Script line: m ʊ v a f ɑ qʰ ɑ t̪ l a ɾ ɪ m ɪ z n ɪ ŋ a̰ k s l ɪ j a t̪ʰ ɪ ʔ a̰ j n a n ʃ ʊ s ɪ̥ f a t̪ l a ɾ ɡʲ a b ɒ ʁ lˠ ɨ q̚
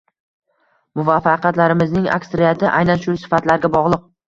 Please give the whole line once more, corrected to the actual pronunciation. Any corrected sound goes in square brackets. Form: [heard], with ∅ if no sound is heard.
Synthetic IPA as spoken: m ʊ v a f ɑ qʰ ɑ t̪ l a ɾ ɪ m ɪ z n ɪ ŋ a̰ k s [ɾ] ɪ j a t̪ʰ ɪ ʔ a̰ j n a n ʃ ʊ s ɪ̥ f a t̪ l a ɾ ɡʲ a b ɒ ʁ lˠ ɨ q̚